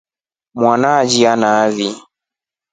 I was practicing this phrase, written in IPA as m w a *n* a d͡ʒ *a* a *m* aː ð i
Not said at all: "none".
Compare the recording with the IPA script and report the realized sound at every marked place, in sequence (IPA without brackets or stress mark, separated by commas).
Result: n, i, n